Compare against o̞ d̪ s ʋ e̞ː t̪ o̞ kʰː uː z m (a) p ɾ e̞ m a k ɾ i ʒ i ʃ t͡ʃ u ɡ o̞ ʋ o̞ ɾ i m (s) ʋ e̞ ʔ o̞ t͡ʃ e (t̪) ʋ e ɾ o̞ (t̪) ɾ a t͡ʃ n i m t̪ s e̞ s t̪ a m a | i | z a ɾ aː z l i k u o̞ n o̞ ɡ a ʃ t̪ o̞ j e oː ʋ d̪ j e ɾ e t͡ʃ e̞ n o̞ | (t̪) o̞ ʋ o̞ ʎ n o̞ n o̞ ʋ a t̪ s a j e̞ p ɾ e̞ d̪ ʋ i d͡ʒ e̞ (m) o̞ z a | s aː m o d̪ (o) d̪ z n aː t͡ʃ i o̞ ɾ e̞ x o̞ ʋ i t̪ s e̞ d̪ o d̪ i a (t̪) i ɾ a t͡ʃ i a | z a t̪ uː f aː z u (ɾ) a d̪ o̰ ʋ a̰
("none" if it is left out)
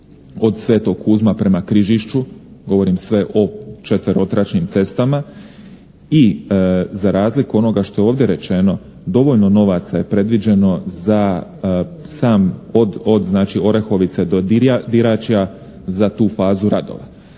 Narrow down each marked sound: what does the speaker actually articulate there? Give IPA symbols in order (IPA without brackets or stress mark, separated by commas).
a, s, t̪, t̪, d̪, n, o, d̪, ɾ